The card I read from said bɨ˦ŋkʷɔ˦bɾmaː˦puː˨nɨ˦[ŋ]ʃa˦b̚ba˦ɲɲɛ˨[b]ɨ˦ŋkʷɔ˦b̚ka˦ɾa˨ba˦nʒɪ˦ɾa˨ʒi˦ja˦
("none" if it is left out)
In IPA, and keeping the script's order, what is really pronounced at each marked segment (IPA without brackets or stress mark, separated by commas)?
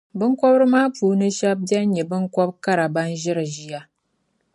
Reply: none, b